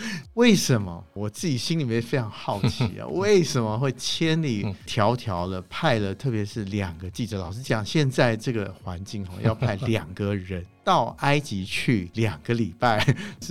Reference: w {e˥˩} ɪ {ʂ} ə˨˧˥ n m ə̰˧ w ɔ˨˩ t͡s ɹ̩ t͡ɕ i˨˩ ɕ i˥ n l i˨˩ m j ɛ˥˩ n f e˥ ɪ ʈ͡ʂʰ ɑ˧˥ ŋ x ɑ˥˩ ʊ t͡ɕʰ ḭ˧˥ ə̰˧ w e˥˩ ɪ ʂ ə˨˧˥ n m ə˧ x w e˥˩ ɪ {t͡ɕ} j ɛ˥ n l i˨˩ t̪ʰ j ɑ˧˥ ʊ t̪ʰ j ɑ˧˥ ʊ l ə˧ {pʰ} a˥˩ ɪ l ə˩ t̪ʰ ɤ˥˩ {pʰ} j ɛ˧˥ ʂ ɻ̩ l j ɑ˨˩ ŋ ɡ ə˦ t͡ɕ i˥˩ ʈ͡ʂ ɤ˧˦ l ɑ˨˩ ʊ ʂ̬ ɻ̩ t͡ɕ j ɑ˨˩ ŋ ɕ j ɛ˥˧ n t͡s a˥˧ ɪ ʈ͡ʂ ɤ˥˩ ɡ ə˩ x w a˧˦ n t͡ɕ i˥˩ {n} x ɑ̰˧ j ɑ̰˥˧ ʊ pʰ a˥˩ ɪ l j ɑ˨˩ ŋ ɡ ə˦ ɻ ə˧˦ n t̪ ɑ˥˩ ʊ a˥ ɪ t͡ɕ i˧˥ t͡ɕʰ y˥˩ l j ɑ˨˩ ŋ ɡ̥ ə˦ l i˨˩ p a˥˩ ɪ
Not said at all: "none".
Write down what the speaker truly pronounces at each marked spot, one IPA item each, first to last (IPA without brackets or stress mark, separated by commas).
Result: e˥˩, ʂ, t͡ɕʰ, pʰ, p, ŋ